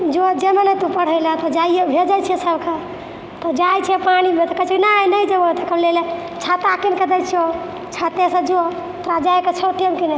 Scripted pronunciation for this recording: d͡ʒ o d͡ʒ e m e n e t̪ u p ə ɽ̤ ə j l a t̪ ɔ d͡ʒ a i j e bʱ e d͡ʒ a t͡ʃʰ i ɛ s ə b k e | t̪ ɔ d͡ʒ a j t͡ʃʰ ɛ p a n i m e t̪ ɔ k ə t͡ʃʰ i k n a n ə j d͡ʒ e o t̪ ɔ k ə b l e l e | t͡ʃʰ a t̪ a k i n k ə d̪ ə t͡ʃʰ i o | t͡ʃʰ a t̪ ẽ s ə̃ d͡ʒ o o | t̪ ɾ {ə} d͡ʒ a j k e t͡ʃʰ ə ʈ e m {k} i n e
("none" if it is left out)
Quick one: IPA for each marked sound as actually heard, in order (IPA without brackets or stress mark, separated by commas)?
a, k